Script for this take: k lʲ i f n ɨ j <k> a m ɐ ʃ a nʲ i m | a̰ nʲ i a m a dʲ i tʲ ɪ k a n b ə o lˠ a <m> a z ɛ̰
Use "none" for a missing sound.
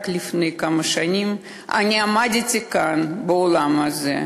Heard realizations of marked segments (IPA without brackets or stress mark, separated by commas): k, m